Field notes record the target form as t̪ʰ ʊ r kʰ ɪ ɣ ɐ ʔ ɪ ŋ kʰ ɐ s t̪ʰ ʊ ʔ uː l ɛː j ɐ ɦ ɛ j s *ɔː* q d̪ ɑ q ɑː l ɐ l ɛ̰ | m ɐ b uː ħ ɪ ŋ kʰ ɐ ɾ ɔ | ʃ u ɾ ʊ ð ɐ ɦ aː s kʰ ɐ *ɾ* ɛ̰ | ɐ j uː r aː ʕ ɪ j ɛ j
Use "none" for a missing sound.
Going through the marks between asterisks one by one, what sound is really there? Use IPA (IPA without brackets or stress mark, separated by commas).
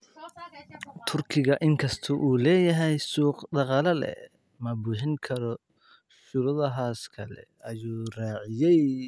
uː, l